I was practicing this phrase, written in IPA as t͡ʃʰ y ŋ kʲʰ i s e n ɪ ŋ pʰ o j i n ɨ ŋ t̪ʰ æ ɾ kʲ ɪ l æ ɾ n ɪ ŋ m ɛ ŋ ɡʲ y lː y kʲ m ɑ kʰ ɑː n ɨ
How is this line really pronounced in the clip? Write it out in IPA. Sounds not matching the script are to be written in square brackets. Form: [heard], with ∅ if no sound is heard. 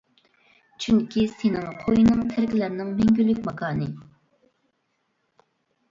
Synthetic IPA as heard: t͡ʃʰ y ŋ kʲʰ i s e n ɪ ŋ [qʰ] o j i n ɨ ŋ t̪ʰ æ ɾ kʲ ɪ l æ ɾ n ɪ ŋ m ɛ ŋ ɡʲ y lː y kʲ m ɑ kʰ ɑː n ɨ